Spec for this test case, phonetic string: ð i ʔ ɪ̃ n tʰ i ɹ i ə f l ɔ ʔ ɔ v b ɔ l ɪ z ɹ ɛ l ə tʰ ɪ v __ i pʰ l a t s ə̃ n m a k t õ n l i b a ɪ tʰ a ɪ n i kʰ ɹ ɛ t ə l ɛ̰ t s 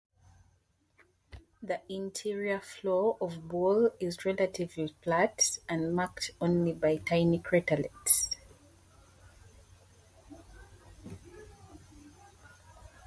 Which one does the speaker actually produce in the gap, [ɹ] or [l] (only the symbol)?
l